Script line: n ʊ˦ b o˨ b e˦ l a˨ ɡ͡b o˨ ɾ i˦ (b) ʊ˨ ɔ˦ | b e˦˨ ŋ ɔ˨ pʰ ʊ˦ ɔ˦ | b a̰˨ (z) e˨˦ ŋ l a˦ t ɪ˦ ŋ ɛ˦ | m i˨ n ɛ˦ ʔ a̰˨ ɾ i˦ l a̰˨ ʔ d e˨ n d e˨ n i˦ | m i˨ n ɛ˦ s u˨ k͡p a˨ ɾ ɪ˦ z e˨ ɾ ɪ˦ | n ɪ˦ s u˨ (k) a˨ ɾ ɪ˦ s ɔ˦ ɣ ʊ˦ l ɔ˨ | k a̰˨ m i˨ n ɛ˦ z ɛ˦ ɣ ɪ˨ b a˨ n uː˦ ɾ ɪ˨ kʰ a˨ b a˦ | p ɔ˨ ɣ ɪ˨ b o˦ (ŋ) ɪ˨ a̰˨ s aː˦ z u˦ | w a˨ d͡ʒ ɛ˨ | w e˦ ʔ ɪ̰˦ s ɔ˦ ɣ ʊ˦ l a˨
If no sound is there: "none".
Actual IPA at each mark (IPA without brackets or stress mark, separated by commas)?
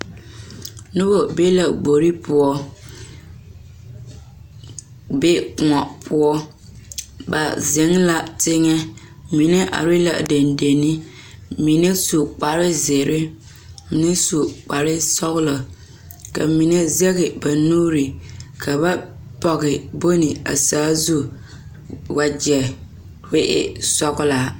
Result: p, z, k͡p, n